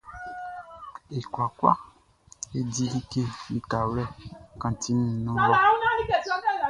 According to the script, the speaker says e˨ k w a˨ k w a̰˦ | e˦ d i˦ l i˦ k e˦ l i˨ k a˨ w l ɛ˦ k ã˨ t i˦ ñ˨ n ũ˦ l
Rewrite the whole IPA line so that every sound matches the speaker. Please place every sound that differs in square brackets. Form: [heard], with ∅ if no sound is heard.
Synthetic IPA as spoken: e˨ k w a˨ k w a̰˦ | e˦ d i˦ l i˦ k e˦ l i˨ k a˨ w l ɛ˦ k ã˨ t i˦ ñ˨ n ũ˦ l